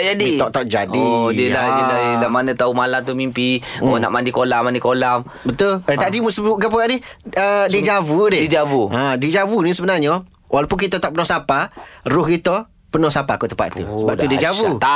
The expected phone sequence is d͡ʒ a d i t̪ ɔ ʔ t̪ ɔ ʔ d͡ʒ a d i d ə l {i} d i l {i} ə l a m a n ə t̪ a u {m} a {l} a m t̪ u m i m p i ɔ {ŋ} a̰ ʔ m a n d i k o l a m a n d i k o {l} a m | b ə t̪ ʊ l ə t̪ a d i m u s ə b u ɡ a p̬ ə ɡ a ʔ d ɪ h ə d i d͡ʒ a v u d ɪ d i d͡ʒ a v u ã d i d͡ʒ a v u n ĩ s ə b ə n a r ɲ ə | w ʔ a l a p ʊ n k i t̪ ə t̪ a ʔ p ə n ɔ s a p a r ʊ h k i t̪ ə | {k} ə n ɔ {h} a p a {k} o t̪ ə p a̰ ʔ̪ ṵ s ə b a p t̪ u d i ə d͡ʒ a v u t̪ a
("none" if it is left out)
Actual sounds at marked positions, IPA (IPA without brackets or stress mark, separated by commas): a, a, m, l, n, l, p, s, k